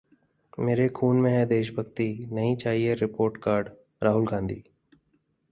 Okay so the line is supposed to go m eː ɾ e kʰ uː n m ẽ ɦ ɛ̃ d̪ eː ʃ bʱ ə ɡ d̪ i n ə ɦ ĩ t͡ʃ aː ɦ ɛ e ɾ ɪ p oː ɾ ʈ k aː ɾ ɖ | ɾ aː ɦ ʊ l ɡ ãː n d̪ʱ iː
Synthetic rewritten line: m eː ɾ e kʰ uː n m ẽ ɦ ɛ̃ d̪ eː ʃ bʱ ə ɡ t̪ i n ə ɦ ĩ t͡ʃ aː ɦ i e ɾ ɪ p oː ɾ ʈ k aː ɾ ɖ | ɾ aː ɦ ʊ l ɡ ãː n d̪ʱ iː

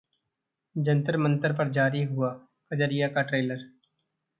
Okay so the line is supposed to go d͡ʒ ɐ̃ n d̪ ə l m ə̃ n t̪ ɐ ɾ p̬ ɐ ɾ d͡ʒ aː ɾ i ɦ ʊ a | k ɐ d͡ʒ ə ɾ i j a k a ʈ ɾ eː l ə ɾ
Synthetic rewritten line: d͡ʒ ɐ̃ n t̪ ə ɾ m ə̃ n t̪ ə ɾ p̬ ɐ ɾ d͡ʒ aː ɾ i ɦ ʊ a | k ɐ d͡ʒ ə ɾ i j a k a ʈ ɾ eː l ə ɾ

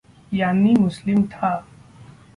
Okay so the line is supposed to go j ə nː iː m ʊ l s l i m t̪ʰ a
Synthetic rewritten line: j a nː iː m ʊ s l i m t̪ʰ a

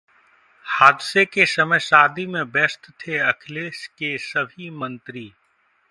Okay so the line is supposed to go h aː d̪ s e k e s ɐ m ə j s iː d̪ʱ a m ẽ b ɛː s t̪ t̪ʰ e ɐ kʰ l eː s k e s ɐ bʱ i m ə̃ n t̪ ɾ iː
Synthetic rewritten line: h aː d̪ s e k e s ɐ m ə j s aː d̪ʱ i m ẽ b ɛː s t̪ t̪ʰ e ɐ kʰ l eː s k e s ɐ bʱ i m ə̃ n t̪ ɾ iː

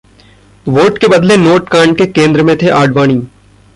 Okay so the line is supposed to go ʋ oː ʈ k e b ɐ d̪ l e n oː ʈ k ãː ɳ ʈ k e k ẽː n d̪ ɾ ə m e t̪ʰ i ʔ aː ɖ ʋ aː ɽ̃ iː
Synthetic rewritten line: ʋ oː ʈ k e b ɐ d̪ l e n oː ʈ k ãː ɳ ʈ k e k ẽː n d̪ ɾ ə m ẽ t̪ʰ e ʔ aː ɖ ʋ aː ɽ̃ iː

